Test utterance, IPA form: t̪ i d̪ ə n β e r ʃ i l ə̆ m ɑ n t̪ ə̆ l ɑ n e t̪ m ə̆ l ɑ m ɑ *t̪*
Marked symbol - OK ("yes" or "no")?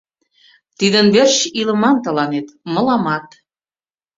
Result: yes